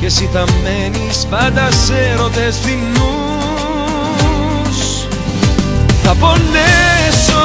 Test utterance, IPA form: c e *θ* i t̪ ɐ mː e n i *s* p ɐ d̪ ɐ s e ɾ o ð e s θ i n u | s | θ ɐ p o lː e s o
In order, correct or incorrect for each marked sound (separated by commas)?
incorrect, correct